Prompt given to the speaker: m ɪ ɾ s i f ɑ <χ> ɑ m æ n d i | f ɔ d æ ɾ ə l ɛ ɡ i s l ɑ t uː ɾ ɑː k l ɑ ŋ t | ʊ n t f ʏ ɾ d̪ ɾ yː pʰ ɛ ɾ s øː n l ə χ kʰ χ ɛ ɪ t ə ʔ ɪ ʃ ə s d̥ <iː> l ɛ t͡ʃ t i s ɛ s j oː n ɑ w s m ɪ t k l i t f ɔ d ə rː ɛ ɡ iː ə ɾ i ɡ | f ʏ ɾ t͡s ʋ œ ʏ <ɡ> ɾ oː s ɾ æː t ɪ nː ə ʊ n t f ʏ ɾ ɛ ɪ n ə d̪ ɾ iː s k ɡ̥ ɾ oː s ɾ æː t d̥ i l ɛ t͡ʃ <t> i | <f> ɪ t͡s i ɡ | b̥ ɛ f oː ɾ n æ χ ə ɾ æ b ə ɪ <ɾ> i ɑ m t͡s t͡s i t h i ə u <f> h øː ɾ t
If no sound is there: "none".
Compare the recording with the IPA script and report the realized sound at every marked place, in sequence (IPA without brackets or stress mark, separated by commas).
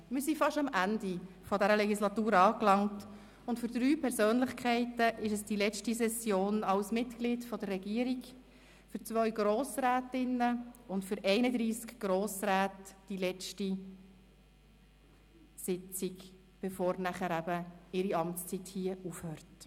ʃ, i, ɡ, t, s, ɾ, f